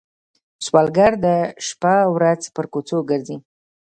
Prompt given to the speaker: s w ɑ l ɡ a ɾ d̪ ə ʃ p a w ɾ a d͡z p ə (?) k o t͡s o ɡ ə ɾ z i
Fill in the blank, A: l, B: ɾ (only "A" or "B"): B